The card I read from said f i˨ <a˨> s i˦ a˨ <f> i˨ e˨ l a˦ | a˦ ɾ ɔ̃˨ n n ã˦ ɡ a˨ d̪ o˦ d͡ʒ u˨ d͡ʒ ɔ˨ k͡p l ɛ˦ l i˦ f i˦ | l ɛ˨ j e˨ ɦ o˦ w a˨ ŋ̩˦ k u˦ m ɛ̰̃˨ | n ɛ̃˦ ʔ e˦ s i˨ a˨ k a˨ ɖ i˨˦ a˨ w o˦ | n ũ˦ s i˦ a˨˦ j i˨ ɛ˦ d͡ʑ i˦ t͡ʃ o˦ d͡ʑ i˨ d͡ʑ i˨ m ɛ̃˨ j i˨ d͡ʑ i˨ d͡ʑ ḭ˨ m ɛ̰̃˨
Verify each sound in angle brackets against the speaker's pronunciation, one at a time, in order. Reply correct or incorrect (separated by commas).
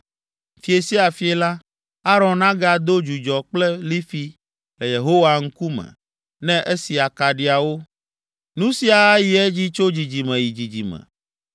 incorrect, correct